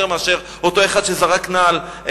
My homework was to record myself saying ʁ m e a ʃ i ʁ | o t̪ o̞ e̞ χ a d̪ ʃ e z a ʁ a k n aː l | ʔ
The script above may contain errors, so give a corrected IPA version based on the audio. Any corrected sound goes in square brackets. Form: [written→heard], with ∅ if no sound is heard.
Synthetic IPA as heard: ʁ m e a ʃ [i→e] ʁ | o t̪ o̞ e̞ χ a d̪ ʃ e z a ʁ a k n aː l | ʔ